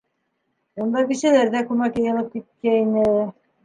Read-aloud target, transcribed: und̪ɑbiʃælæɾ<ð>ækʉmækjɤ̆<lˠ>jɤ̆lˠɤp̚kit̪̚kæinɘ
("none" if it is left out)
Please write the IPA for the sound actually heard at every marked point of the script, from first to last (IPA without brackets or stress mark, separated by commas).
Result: ð, none